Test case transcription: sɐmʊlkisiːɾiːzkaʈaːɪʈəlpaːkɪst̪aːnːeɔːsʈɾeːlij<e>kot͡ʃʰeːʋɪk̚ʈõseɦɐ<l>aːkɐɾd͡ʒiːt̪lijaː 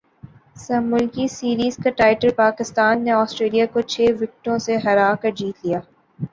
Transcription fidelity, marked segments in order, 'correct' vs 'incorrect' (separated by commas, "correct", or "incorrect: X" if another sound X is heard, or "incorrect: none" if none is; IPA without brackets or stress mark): incorrect: a, incorrect: ɾ